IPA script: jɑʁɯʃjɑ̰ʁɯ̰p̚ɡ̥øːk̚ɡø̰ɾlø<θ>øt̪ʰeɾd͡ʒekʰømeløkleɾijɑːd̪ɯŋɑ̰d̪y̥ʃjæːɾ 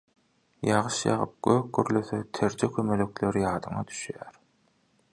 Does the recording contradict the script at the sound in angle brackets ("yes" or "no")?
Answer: no